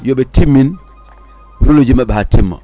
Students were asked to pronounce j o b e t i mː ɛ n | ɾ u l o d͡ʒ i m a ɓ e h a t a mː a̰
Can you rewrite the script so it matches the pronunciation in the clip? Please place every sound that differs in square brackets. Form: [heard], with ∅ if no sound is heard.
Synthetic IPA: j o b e t i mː [i] n | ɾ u l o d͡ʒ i m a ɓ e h a t [i] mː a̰